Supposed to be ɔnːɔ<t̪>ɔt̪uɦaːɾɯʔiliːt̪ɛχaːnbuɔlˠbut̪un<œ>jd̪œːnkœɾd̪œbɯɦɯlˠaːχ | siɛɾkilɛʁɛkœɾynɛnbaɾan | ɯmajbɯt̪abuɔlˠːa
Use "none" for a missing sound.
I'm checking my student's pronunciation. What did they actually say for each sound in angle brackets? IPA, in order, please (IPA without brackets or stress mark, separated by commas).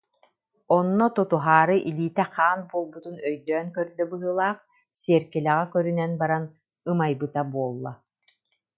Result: t̪, œ